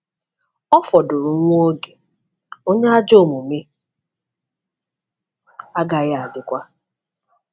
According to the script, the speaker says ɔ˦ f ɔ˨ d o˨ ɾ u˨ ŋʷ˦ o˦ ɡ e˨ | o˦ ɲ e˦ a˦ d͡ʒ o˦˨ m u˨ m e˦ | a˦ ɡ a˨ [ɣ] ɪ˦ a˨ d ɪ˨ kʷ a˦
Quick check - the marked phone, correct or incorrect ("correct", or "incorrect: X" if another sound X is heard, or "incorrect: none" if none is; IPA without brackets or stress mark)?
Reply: correct